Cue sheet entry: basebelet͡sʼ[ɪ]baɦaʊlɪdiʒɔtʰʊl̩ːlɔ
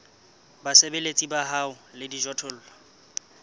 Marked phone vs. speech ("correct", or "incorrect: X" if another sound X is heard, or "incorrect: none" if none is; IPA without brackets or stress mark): incorrect: i